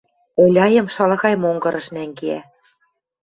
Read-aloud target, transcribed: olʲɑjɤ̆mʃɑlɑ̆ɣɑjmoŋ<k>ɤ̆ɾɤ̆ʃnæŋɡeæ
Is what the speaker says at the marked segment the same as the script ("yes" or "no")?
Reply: no